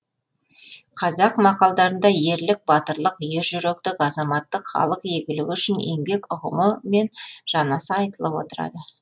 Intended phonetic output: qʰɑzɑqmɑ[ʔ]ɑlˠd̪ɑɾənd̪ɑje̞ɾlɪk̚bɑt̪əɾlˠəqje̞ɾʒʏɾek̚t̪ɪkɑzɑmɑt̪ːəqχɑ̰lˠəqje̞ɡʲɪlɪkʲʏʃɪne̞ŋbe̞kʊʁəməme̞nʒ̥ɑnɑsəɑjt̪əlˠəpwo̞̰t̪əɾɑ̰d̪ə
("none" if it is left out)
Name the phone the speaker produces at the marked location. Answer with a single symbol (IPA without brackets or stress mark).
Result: q